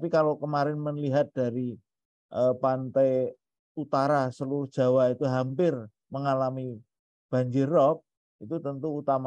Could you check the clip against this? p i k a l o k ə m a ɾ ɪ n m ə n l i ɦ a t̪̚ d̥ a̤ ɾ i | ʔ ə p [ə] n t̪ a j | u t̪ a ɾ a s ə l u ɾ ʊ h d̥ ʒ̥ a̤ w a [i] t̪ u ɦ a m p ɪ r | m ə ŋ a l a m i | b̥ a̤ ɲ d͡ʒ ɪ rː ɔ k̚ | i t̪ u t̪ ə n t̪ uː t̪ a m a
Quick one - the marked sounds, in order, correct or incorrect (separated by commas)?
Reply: incorrect, correct